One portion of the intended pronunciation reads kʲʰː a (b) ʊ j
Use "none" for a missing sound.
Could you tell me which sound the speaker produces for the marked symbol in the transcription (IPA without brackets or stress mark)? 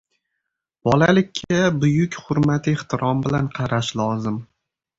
b